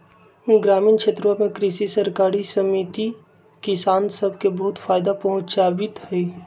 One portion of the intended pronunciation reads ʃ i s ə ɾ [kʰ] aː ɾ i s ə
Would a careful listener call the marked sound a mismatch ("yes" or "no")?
yes